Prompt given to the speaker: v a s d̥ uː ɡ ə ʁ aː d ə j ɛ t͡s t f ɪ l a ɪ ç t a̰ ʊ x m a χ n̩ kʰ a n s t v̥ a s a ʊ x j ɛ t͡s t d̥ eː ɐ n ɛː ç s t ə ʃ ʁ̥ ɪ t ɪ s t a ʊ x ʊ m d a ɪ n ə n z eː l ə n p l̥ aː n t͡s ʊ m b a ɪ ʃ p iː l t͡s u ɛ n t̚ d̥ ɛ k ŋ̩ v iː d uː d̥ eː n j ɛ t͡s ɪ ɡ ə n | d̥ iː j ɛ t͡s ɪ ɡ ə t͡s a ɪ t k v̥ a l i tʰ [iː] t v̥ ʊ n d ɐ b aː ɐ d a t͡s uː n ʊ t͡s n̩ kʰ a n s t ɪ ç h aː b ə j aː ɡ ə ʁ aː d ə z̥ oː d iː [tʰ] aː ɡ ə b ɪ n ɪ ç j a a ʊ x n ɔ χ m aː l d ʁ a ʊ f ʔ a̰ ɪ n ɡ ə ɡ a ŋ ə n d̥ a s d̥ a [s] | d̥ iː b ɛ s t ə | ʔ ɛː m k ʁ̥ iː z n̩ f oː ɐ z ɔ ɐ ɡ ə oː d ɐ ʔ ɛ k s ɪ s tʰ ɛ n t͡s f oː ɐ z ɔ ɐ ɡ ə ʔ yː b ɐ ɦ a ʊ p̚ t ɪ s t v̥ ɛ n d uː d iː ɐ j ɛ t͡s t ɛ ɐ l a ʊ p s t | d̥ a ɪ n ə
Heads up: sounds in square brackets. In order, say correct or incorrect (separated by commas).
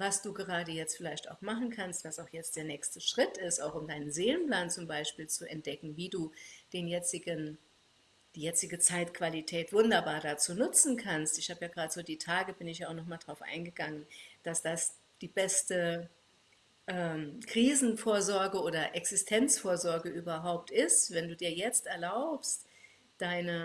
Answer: incorrect, correct, correct